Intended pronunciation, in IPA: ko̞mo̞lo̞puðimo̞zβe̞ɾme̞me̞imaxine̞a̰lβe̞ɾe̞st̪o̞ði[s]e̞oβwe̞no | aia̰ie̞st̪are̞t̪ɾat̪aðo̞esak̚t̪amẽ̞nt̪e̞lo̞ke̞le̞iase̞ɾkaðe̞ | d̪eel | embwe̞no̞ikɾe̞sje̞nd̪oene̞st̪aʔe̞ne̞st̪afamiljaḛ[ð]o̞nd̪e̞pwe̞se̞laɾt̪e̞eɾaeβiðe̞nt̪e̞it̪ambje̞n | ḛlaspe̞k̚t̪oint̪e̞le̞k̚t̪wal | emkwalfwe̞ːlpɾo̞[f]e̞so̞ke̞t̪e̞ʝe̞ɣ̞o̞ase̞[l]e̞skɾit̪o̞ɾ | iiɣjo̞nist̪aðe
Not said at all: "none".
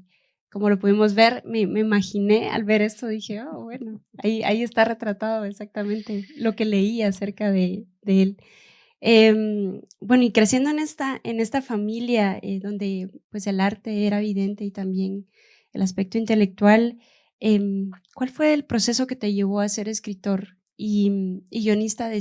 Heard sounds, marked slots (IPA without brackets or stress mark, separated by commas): x, ð, s, ɾ